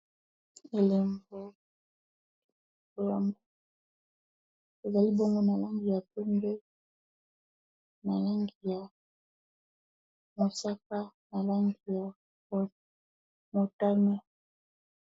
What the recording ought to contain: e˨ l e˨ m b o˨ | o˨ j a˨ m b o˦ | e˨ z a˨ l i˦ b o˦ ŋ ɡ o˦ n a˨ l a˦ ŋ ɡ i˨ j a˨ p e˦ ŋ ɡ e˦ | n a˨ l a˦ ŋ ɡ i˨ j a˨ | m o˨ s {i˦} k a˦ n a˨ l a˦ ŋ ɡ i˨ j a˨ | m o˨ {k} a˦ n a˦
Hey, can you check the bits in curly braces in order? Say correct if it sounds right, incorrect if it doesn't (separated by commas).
incorrect, incorrect